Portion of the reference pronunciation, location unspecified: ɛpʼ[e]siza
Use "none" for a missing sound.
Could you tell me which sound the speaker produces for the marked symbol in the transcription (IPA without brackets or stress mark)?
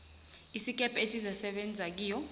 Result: e